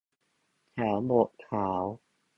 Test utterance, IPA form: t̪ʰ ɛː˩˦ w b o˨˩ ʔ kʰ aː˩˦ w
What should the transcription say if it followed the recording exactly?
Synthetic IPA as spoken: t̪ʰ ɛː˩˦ w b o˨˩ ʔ kʰ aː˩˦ w